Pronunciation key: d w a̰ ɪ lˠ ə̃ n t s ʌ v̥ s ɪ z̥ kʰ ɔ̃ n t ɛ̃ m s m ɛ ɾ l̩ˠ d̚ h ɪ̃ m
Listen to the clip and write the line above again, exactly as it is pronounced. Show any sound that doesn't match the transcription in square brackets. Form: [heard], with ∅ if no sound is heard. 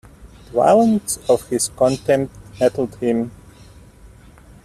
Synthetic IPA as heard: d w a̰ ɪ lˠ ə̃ n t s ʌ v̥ [h] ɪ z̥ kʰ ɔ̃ n t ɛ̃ m [t] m ɛ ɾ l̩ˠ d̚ h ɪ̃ m